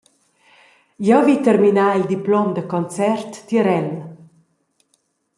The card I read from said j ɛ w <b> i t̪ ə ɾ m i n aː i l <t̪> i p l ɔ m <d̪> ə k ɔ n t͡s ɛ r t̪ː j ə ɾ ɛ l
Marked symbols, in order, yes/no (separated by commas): no, no, yes